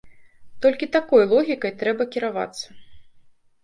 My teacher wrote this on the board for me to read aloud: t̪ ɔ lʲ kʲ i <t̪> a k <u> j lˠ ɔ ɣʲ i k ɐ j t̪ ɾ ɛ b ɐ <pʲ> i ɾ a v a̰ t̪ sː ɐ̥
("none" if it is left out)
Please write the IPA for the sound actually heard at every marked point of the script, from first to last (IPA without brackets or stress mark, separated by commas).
t̪, ɔ, kʲ